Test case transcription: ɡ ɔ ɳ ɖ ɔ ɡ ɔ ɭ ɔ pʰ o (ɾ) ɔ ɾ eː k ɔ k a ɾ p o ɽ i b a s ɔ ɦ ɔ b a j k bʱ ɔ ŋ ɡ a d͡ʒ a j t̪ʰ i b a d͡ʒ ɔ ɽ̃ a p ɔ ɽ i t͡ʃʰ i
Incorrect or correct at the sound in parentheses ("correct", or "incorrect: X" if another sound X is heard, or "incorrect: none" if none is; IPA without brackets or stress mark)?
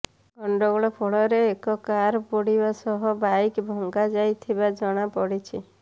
incorrect: ɭ